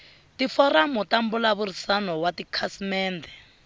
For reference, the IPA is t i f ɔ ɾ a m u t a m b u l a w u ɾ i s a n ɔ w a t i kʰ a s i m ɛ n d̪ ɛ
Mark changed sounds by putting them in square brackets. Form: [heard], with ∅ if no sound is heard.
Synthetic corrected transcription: t i f ɔ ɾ a m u t a m b u l a [β] u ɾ i s a n ɔ w a t i kʰ a s i m [ɛː] n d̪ ɛ